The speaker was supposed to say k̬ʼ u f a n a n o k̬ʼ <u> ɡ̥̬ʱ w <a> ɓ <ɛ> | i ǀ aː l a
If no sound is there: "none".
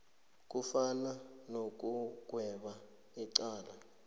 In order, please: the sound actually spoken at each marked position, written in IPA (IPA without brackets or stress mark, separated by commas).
u, ɛ, a